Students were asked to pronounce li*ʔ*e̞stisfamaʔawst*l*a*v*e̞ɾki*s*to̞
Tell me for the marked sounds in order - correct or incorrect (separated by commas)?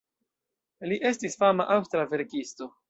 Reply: correct, incorrect, correct, correct